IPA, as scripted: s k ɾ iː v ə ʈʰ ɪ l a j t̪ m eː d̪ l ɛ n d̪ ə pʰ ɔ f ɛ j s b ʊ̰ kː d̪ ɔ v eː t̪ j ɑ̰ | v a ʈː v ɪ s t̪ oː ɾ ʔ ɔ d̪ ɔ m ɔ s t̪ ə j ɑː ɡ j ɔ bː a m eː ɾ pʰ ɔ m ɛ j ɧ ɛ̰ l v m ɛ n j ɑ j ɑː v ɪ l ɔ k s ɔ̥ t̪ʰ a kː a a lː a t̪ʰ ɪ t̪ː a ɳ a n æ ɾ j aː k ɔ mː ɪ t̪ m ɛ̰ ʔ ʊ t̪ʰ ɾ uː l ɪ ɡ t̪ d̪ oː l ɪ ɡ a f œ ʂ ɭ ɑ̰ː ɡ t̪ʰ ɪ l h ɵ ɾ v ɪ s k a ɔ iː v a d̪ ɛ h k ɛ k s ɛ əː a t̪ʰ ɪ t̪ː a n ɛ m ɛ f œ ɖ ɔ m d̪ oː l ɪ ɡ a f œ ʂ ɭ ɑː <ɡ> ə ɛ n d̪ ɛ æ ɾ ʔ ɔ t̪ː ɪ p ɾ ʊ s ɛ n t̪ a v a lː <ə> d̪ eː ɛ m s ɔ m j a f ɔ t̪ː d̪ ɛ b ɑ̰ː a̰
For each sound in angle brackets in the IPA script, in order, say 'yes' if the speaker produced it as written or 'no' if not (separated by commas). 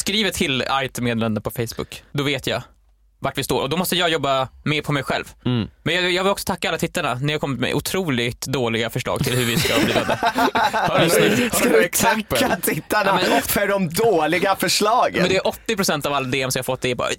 yes, no